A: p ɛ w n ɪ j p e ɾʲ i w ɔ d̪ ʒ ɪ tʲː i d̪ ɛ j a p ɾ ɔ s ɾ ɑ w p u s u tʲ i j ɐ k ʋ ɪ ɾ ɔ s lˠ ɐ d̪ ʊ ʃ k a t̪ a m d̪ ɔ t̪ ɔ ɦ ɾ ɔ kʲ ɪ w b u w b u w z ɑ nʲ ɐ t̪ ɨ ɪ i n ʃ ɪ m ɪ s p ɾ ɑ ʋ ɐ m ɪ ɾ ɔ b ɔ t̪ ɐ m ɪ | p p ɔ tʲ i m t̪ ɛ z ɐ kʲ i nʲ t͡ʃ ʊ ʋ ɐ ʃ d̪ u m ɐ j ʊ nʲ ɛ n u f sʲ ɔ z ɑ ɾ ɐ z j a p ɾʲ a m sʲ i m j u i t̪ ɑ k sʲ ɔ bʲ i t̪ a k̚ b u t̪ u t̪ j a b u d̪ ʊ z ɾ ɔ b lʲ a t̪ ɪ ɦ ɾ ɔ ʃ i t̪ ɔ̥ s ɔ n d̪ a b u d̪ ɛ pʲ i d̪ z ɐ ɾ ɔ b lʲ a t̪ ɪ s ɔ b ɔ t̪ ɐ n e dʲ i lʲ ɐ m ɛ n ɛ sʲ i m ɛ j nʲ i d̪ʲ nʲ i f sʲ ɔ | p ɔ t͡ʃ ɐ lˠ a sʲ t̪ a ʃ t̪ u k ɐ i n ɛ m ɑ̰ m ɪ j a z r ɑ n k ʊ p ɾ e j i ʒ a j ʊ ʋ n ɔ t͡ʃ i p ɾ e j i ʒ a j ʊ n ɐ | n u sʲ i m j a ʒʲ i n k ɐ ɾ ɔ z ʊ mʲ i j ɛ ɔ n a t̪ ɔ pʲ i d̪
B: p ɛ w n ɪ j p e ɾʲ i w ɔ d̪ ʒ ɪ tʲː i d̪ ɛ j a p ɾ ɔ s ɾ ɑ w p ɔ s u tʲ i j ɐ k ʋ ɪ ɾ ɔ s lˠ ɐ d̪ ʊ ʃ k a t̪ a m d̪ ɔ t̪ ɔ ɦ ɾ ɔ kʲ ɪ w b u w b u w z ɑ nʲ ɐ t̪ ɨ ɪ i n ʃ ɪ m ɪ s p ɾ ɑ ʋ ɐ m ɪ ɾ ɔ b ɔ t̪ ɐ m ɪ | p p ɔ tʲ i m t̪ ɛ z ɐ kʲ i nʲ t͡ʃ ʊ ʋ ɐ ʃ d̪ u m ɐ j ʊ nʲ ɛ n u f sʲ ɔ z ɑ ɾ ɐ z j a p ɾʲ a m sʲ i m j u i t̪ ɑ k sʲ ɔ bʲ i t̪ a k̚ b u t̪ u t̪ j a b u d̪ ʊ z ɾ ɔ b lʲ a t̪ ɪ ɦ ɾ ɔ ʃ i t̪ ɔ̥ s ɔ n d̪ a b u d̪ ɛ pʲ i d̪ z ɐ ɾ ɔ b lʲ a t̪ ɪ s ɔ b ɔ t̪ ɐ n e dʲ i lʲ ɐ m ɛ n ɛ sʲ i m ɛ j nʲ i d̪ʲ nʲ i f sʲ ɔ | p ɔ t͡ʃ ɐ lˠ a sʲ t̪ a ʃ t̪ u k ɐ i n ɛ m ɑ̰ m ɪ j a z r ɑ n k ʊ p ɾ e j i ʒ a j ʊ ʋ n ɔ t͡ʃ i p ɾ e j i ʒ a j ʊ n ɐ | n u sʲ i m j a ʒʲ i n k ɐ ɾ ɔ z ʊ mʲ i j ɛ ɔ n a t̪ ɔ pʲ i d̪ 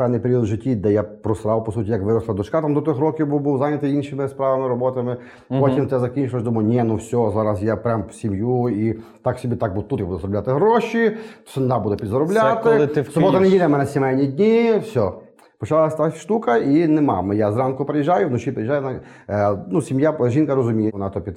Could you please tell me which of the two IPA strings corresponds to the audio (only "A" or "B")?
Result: B